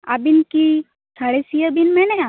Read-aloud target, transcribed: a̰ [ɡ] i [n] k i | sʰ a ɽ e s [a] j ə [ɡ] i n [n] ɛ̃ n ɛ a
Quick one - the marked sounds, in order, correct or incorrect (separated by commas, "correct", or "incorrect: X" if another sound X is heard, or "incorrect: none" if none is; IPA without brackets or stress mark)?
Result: incorrect: b, correct, incorrect: i, incorrect: b, incorrect: m